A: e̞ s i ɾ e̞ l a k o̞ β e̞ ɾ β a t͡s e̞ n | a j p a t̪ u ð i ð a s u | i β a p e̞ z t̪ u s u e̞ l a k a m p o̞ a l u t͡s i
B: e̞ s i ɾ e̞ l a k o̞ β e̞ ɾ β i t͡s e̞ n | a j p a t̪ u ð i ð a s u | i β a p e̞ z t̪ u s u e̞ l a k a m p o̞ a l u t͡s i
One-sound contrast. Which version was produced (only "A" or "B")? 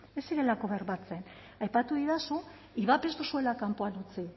A